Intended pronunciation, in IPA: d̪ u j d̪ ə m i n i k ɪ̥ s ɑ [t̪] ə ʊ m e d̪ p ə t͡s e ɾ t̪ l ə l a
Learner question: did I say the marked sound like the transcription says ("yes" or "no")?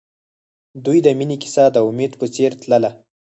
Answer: no